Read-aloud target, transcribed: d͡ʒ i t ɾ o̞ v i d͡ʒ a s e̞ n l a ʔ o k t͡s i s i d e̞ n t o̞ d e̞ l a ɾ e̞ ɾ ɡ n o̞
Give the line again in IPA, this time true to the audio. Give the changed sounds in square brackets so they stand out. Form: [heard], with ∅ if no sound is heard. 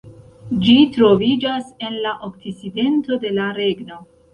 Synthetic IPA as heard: d͡ʒ i t ɾ o̞ v i d͡ʒ a s e̞ n l a ʔ o k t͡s i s i d e̞ n t o̞ d e̞ l a ɾ e̞ [∅] ɡ n o̞